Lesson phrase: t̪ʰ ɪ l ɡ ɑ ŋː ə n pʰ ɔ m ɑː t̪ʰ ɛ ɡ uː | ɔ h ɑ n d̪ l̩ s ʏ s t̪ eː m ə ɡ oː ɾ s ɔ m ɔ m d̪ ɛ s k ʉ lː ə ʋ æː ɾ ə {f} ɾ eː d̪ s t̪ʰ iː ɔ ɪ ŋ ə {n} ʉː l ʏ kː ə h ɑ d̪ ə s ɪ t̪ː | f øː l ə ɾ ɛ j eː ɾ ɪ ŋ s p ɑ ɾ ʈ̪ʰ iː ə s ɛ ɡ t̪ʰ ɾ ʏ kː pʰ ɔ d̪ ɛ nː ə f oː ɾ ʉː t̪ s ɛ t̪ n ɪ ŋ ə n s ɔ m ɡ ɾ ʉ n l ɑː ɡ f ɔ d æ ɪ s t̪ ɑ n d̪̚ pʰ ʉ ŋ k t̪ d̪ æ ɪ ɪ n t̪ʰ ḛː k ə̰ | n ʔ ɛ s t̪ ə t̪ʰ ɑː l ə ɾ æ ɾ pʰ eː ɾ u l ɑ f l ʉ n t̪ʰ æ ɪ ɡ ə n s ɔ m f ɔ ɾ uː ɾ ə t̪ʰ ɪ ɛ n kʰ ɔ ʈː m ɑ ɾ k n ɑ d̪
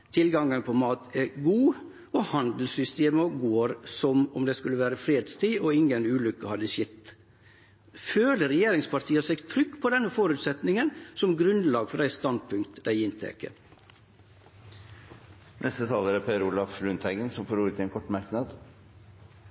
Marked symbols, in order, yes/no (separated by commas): yes, yes